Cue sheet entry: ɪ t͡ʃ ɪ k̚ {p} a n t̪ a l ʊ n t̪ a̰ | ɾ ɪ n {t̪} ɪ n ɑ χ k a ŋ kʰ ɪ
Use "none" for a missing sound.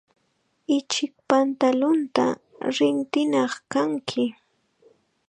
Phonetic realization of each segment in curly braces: p, t̪

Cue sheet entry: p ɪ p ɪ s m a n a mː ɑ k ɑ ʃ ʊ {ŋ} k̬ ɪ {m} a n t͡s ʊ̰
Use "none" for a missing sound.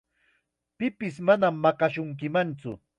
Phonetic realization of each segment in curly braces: ŋ, m

